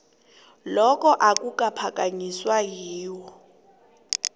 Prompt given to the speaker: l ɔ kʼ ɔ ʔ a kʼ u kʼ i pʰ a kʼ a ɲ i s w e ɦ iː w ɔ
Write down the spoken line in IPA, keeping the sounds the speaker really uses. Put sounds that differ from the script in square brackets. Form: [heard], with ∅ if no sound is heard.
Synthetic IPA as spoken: l ɔ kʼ ɔ ʔ a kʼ u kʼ [a] pʰ a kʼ a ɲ i s w [a] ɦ iː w ɔ

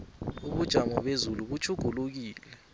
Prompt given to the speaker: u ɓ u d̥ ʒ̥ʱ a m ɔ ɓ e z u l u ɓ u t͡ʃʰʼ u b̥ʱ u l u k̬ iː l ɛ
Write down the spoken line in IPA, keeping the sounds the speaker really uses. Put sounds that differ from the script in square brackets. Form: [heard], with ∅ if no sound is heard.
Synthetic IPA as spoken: u ɓ u d̥ ʒ̥ʱ a m ɔ ɓ e z u l u ɓ u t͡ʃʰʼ u [ɡ̥ʱ] u l u k̬ iː l ɛ

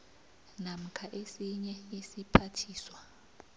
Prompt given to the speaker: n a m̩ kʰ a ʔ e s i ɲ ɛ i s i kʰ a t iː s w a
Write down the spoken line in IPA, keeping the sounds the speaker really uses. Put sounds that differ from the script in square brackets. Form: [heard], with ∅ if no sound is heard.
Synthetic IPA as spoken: n a m̩ kʰ a ʔ e s i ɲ ɛ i s i [pʰ] a [tʰ] iː s w a

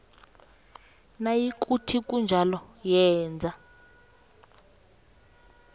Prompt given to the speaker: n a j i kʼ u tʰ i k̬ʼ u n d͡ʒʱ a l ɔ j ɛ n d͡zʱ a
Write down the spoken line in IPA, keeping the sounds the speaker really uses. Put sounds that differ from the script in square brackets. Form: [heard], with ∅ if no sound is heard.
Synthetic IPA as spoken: n a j i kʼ u tʰ i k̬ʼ u n d͡ʒʱ a l ɔ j [ɛː] n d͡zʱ a

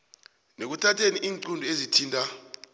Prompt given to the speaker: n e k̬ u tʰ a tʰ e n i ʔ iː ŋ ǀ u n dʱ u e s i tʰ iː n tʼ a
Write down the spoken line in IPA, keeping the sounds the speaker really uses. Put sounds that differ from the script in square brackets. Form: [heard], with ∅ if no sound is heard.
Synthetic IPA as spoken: n e k̬ u tʰ a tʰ e n i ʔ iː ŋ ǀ u n dʱ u e [z] i tʰ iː n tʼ a

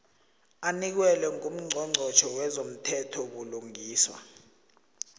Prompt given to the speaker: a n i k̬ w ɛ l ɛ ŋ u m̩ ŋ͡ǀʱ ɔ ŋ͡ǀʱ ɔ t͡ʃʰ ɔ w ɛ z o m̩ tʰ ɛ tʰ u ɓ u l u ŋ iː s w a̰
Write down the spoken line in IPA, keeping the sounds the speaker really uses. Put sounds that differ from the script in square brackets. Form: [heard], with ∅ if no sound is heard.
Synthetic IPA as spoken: a n i k̬ w ɛ l ɛ ŋ u m̩ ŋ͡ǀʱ ɔ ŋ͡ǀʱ ɔ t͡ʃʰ ɔ w ɛ z o m̩ tʰ ɛ tʰ [ɔ] ɓ u l u ŋ iː s w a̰

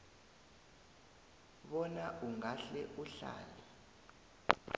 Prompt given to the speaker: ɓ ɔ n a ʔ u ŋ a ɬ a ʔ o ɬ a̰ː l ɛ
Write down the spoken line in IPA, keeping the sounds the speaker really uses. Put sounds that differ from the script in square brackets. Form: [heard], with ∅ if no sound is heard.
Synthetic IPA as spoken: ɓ ɔ n a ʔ u ŋ a ɬ [ɛ] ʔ [u] ɬ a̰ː l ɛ

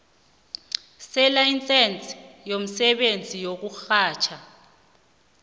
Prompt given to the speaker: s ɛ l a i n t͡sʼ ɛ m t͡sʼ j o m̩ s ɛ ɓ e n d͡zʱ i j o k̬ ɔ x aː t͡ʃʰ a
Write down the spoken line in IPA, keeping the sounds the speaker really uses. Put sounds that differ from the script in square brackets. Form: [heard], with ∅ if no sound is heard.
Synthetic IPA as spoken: s ɛ l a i n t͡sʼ ɛ [n] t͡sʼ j o m̩ s ɛ ɓ e n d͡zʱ i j o k̬ [u] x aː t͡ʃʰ a

